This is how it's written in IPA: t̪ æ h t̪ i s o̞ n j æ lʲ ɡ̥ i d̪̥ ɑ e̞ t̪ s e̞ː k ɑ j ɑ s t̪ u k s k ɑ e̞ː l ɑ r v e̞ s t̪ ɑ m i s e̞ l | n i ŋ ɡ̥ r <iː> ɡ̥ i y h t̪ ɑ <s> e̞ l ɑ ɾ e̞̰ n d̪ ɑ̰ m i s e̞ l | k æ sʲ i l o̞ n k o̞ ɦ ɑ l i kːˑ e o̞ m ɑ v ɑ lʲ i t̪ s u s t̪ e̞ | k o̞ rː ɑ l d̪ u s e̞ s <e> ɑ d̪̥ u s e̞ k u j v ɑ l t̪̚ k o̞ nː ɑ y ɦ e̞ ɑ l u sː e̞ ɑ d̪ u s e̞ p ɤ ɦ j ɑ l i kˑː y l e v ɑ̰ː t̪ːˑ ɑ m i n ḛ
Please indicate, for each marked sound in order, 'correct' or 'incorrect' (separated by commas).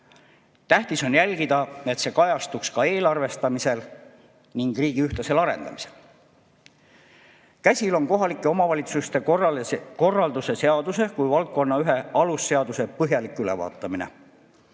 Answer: correct, correct, correct